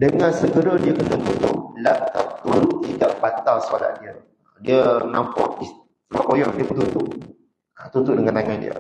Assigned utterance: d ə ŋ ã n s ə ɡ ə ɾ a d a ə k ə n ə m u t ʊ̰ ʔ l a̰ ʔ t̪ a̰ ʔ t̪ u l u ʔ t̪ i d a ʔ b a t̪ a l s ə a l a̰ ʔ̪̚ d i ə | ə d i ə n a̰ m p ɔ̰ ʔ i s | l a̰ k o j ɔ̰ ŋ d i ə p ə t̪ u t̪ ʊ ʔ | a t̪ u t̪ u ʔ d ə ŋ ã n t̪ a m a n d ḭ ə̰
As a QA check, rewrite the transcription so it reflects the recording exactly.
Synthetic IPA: d ə ŋ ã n s ə ɡ ə ɾ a d i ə k ə n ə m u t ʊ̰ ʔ l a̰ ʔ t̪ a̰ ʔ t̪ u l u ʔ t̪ i d a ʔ b a t̪ a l s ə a l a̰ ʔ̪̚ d i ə | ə d i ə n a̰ m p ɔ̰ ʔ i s | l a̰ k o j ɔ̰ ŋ d i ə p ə t̪ u t̪ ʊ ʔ | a t̪ u t̪ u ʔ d ə ŋ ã n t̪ a ŋ a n d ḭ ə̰

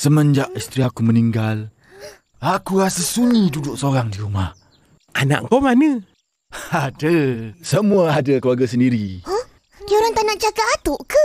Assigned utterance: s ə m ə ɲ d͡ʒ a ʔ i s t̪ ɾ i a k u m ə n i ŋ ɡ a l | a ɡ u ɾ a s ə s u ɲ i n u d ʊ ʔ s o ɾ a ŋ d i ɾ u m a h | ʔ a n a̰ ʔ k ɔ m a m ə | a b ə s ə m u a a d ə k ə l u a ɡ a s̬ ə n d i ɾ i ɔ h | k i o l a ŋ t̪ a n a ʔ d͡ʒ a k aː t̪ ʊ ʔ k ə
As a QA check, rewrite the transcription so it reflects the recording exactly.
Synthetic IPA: s ə m ə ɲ d͡ʒ a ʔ i s t̪ ɾ i a k u m ə n i ŋ ɡ a l | a k u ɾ a s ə s u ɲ i d u d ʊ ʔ s o ɾ a ŋ d i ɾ u m a h | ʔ a n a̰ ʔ k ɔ m a n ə | a d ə s ə m u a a d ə k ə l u a ɡ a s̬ ə n d i ɾ i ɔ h | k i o ɾ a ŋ t̪ a n a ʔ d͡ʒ a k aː t̪ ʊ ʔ k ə

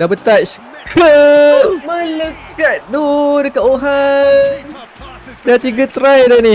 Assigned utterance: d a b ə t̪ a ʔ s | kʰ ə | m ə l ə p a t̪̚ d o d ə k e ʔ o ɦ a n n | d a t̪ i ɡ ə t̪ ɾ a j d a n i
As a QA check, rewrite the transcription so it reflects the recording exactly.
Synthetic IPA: d a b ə t̪ a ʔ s | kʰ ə | m ə l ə k a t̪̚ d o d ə k a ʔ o ɦ a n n | d a t̪ i ɡ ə t̪ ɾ a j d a n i

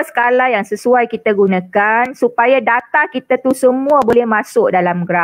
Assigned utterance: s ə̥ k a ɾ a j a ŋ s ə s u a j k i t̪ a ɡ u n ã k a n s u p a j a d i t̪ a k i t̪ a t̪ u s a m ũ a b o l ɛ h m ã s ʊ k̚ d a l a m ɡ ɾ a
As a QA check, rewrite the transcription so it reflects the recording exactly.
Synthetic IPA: s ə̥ k a l a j a ŋ s ə s u a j k i t̪ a ɡ u n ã k a n s u p a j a d a t̪ a k i t̪ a t̪ u s ə m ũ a b o l ɛ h m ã s ʊ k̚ d a l a m ɡ ɾ a

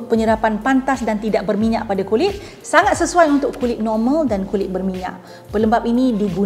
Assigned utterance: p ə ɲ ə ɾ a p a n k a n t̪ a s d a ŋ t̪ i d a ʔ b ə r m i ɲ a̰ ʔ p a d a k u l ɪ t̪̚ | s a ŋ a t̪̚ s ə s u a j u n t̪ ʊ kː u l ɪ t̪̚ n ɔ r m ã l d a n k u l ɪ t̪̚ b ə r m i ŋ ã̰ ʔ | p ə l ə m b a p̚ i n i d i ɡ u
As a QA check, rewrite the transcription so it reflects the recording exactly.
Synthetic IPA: p ə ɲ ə ɾ a p a n p a n t̪ a s d a n t̪ i d a ʔ b ə r m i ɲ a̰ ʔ p a d a k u l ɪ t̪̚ | s a ŋ a t̪̚ s ə s u a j u n t̪ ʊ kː u l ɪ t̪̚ n ɔ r m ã l d a n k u l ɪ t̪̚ b ə r m i ɲ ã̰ ʔ | p ə l ə m b a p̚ i n i d i ɡ u

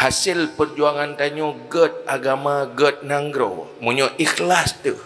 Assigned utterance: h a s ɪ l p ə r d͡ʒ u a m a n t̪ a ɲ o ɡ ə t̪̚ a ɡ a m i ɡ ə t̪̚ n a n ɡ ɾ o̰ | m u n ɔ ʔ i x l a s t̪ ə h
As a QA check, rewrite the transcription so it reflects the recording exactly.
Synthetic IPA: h a s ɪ l p ə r d͡ʒ u a ŋ a n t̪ a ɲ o ɡ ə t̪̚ a ɡ a m a ɡ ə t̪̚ n a ŋ ɡ ɾ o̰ | m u ɲ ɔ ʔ i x l a s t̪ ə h

